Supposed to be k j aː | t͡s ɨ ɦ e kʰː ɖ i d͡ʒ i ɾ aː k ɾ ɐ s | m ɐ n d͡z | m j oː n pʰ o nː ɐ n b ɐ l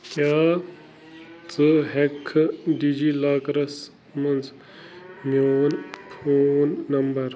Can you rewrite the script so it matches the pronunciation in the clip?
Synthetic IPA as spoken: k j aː | t͡s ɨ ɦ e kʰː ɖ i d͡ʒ i l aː k ɾ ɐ s | m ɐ n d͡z | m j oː n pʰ o nː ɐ m b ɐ ɾ